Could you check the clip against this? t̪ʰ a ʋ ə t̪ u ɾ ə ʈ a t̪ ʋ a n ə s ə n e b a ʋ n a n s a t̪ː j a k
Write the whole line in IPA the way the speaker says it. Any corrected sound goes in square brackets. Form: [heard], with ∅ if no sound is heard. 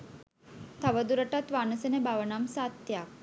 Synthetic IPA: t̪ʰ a ʋ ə [d̪] u ɾ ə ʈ a t̪ ʋ a n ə s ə n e b a ʋ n a [m] s a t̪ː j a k